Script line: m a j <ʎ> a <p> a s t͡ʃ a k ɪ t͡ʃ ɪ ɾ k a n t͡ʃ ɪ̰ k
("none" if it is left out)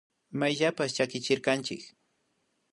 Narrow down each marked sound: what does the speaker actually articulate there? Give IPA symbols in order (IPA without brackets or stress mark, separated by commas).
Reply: ʎ, p